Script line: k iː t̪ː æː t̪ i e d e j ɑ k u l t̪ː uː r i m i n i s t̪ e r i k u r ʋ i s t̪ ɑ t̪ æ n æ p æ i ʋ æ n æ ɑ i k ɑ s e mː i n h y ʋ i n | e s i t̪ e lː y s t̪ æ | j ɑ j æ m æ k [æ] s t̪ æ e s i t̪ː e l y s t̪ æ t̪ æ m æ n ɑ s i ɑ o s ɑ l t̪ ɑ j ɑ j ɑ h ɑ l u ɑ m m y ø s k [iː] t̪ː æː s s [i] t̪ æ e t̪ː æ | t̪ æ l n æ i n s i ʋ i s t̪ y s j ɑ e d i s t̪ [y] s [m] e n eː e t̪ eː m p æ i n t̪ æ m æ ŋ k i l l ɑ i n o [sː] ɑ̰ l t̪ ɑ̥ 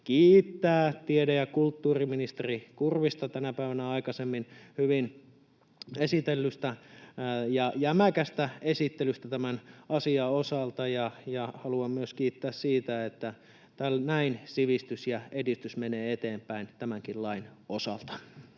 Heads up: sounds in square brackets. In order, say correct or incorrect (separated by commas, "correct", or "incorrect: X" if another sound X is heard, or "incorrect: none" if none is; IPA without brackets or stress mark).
correct, correct, incorrect: iː, correct, correct, incorrect: s